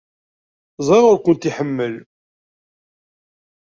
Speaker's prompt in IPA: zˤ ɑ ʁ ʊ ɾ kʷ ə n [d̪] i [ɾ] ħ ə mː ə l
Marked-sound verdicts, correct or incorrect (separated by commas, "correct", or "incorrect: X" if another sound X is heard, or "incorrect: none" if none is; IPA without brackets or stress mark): incorrect: t̪, incorrect: none